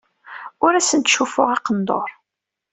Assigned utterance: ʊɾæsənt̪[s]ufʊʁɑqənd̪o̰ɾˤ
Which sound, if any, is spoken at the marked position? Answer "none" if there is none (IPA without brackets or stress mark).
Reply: ʃ